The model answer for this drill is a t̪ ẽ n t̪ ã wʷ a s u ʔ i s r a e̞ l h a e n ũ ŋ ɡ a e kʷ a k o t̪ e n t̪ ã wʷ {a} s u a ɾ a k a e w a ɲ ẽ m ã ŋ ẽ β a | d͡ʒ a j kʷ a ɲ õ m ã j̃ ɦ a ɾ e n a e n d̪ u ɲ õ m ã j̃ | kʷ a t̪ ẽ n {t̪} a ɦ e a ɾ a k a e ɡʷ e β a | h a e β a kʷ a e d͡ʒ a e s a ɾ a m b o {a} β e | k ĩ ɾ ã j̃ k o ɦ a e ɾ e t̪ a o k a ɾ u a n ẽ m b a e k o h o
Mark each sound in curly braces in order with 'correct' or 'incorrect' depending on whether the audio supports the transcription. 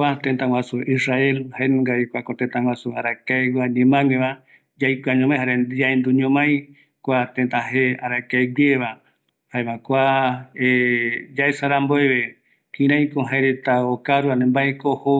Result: correct, correct, incorrect

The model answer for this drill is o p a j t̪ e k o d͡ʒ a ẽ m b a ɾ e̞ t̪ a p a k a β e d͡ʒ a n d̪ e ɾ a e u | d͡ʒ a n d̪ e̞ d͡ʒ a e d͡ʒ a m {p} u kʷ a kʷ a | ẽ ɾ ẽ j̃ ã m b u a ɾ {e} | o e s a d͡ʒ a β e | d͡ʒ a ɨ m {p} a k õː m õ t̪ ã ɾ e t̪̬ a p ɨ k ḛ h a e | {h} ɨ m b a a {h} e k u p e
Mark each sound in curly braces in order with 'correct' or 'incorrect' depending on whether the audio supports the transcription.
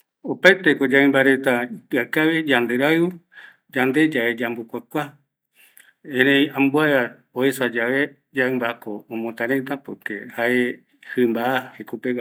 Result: incorrect, incorrect, incorrect, correct, correct

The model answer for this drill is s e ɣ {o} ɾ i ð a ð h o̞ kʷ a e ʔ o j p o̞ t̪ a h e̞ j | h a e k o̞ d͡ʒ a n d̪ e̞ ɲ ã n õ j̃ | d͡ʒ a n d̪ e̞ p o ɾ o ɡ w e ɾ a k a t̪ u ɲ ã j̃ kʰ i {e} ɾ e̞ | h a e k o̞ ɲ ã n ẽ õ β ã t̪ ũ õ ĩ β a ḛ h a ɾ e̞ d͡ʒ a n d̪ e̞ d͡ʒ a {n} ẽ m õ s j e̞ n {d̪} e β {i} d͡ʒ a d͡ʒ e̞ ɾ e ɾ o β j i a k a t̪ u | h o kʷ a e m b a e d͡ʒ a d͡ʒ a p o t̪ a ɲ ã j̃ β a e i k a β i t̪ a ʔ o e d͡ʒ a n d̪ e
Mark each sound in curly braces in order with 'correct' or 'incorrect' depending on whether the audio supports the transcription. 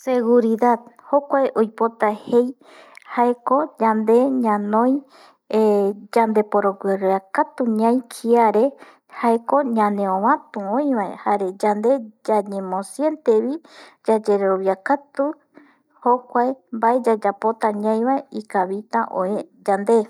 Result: incorrect, incorrect, incorrect, incorrect, correct

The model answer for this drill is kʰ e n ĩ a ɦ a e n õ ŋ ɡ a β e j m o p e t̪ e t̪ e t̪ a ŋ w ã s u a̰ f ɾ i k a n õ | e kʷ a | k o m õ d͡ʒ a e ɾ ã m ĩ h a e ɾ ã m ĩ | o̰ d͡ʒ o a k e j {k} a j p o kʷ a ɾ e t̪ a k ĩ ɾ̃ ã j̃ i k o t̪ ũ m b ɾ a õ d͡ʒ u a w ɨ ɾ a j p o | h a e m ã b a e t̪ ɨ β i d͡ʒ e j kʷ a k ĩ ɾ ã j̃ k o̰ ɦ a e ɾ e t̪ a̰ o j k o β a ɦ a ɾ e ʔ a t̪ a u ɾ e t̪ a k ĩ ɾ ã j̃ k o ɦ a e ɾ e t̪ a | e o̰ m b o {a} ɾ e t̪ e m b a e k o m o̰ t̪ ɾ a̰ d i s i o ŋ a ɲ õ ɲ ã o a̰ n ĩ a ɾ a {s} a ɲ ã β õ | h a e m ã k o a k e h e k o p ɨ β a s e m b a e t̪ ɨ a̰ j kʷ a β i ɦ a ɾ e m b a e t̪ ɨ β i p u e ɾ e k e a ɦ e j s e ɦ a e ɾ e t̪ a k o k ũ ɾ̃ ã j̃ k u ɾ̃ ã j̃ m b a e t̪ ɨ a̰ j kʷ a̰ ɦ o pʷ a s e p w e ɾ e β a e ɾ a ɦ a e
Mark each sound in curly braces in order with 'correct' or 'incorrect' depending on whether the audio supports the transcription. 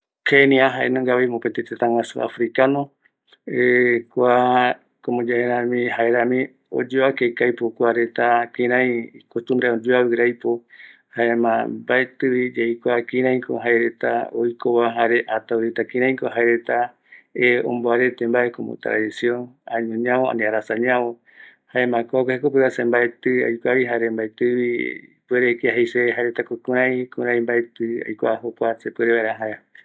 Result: correct, correct, correct

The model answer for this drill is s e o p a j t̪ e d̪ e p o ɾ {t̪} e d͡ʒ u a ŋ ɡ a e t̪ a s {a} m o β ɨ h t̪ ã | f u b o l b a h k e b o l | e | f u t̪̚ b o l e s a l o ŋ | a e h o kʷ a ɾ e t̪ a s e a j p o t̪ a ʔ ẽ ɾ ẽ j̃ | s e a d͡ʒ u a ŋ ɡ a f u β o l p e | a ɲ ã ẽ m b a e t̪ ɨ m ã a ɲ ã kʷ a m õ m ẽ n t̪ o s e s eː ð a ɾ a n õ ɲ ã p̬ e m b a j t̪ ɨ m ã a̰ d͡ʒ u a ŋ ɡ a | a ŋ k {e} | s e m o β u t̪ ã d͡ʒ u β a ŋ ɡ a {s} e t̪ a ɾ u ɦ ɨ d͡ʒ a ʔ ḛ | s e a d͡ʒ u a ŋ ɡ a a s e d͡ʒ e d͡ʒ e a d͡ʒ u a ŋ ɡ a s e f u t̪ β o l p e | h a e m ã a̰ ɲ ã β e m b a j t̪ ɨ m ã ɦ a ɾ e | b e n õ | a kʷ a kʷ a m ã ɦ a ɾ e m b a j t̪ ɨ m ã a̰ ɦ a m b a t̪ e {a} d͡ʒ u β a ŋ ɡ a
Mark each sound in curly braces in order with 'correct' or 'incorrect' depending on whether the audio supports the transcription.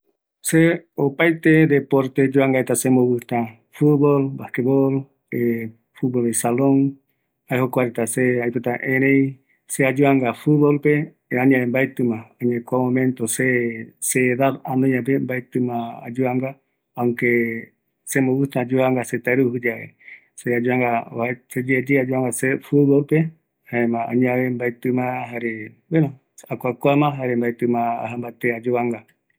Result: correct, incorrect, correct, correct, correct

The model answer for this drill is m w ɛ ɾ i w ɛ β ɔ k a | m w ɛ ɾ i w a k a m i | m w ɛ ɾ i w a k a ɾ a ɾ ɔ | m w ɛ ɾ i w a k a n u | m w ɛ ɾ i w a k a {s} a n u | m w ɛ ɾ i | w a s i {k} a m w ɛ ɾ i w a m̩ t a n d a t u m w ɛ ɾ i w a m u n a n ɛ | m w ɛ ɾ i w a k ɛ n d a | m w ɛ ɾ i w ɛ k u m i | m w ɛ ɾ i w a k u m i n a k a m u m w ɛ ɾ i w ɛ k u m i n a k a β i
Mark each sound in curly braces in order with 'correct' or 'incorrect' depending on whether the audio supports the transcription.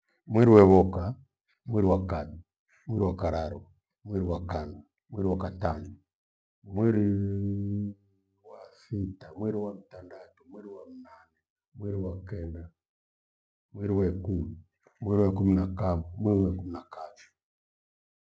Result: incorrect, incorrect

